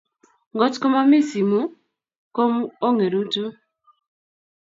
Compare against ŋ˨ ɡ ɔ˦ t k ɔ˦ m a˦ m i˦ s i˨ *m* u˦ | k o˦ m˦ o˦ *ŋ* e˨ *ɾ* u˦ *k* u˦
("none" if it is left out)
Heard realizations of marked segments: m, ŋ, ɾ, t

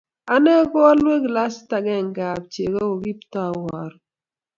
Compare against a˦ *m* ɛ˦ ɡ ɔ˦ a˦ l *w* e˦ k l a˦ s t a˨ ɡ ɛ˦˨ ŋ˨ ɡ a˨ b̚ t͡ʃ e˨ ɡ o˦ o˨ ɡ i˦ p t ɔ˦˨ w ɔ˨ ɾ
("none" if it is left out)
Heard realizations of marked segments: n, w

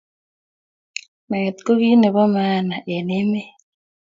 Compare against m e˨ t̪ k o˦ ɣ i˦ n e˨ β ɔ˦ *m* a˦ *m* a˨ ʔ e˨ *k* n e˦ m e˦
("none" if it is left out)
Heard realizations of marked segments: m, n, none

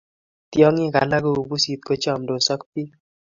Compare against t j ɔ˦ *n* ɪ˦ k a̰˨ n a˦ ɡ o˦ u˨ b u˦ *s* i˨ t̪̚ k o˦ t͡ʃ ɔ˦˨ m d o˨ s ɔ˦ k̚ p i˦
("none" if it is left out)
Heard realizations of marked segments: ŋ, s

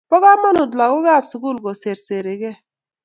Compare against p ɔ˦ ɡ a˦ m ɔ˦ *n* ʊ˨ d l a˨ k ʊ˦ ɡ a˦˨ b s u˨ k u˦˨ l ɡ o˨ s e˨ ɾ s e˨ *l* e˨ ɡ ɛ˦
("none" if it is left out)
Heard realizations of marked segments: n, ɾ

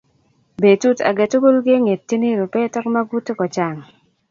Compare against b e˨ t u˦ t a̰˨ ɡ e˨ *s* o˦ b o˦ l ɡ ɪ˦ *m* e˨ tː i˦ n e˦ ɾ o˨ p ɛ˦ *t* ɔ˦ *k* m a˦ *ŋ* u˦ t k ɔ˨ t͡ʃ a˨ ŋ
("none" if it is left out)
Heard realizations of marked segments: t, ŋ, t, k, ɡ

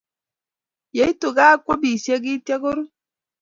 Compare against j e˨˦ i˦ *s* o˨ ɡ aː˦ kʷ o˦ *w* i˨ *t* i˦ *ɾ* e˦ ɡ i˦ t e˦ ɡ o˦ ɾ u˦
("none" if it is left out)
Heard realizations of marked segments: t, b, s, none

